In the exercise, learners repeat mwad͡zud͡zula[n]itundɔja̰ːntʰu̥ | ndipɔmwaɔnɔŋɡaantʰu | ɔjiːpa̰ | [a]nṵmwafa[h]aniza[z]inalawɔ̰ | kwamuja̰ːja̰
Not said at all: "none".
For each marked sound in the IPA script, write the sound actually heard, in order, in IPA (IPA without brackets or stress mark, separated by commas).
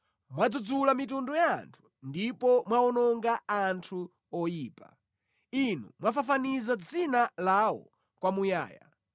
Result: m, i, f, d͡z